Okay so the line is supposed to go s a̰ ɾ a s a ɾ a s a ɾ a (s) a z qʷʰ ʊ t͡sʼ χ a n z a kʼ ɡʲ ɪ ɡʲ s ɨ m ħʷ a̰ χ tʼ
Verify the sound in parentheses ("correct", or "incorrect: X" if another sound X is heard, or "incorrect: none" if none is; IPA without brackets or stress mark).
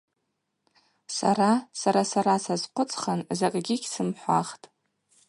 correct